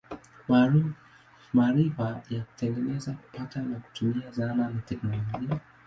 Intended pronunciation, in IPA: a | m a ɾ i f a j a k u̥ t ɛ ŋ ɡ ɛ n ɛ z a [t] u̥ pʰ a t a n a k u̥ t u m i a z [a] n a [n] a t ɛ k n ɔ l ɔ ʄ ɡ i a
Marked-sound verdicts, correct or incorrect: incorrect, correct, correct

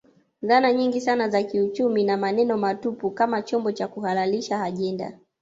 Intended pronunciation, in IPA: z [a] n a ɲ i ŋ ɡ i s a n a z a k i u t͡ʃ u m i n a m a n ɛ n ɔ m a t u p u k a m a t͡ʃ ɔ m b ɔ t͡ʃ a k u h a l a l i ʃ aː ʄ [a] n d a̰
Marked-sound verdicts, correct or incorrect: correct, incorrect

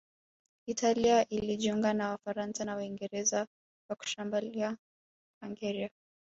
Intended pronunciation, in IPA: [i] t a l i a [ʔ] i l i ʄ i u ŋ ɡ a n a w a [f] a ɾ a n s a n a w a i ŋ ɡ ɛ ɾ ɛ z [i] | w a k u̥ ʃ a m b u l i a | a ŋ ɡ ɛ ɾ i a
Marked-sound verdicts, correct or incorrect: correct, correct, correct, incorrect

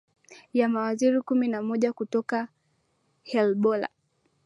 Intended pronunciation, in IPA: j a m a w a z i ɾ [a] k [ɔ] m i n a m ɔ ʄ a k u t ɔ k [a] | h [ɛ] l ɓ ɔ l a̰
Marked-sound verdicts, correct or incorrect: incorrect, incorrect, correct, correct

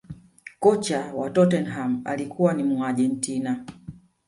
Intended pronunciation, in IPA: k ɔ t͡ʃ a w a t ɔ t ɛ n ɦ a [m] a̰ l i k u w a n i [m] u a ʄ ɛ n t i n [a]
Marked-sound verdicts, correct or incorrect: correct, correct, correct

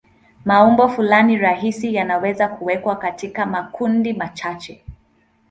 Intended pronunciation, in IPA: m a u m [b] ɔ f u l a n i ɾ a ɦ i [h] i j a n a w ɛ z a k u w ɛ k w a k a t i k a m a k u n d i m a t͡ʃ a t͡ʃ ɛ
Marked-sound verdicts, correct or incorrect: correct, incorrect

